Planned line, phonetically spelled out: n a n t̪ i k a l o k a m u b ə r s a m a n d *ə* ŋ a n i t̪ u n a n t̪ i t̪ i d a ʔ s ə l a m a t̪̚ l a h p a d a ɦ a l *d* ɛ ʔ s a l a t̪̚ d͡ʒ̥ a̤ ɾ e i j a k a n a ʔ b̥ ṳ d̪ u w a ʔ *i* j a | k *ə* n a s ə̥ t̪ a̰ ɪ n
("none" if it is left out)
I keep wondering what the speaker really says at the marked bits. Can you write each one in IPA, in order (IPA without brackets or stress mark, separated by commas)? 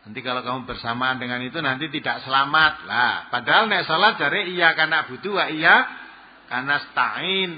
ə, n, i, a